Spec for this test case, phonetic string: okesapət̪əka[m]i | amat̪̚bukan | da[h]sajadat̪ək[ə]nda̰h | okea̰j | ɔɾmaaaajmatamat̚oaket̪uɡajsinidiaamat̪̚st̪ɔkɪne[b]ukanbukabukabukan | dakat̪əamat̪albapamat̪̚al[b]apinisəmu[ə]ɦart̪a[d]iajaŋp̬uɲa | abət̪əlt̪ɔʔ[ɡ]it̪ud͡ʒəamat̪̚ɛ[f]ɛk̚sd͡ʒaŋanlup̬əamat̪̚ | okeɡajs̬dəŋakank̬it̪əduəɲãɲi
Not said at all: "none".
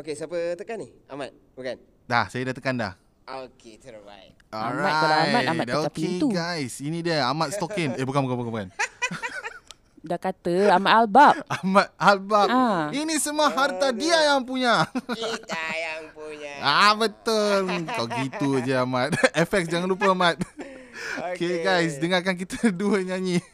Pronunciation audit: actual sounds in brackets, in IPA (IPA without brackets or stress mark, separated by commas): n, h, a, b, b, a, d, ɡ, f